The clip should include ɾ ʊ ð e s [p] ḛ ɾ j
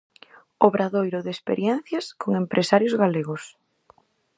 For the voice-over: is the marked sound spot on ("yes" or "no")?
yes